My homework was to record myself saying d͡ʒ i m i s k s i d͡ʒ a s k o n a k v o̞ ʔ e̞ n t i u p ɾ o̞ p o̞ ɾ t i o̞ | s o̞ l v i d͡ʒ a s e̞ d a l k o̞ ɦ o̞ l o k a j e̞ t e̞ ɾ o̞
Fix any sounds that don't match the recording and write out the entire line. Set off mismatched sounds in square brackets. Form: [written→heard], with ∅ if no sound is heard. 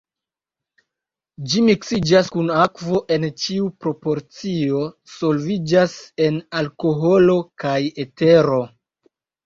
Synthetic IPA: d͡ʒ i m i [s→∅] k s i d͡ʒ a s k [o→u] n a k v o̞ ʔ e̞ n [t→t͡ʃ] i u p ɾ o̞ p o̞ ɾ [t→t͡s] i o̞ | s o̞ l v i d͡ʒ a s e̞ [d→n] a l k o̞ ɦ o̞ l o k a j e̞ t e̞ ɾ o̞